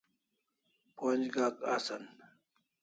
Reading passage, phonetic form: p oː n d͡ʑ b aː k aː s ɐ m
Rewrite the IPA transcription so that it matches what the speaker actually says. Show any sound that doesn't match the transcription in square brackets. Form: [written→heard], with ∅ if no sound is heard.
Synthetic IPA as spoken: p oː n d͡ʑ [b→ɡ] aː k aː s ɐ [m→n]